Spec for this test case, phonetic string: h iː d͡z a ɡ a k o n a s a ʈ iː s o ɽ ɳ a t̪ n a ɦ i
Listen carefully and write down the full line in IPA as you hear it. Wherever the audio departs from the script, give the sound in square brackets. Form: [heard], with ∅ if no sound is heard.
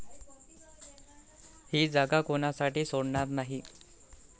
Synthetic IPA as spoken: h iː d͡z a ɡ a k o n a s a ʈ iː s o ɽ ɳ a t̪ n a ɦ i